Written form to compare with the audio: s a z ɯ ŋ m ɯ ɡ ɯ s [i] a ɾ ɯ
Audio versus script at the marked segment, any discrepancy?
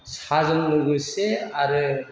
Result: yes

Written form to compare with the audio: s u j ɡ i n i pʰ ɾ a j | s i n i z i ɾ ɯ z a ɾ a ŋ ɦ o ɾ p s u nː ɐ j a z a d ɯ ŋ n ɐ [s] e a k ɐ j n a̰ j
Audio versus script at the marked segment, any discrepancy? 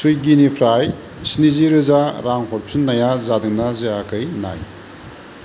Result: yes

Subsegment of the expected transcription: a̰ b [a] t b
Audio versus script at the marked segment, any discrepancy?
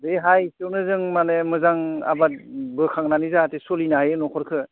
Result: no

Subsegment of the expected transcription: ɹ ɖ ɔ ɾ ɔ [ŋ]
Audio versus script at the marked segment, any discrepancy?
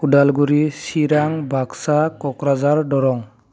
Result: no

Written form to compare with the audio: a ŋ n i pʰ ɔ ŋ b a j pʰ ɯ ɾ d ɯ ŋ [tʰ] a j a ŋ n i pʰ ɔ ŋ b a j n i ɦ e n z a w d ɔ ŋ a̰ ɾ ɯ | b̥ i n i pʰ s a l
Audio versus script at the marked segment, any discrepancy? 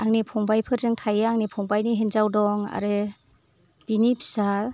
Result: no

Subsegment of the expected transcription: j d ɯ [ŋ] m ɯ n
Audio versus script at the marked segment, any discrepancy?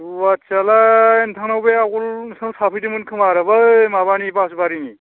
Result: yes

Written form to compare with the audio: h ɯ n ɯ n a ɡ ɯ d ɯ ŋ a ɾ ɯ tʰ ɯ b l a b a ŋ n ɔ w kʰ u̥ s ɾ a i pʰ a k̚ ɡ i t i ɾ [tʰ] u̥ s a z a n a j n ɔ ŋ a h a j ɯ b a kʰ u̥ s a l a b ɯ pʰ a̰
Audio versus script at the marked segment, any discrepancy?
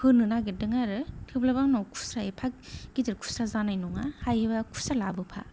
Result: yes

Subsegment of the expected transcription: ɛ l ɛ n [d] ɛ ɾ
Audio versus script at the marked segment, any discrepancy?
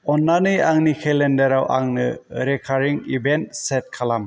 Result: no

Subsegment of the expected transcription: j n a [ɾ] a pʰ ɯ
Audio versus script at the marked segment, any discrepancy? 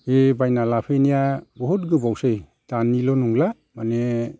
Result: yes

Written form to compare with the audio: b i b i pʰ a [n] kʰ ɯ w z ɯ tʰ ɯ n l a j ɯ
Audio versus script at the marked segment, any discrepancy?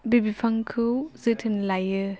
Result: yes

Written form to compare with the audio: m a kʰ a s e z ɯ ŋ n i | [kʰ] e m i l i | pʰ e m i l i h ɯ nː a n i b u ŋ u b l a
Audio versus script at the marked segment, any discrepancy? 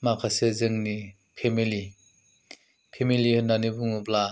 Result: yes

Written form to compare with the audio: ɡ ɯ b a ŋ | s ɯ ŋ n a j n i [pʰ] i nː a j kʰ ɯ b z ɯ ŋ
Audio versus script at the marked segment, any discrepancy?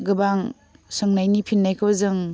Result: no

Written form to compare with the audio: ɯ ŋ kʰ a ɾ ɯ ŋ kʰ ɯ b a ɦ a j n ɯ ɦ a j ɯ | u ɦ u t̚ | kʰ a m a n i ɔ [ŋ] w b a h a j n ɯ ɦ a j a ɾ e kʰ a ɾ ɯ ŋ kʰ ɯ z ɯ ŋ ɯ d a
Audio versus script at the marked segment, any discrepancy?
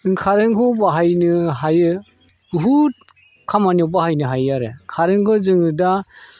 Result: yes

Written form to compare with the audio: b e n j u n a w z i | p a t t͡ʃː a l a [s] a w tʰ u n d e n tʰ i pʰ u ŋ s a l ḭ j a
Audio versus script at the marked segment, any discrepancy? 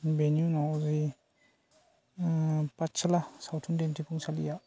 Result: no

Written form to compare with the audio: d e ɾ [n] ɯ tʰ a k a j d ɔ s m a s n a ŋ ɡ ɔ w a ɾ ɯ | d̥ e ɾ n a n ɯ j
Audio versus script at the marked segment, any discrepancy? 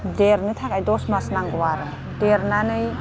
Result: no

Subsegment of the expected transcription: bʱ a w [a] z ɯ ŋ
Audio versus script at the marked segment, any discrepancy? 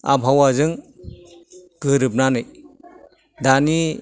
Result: no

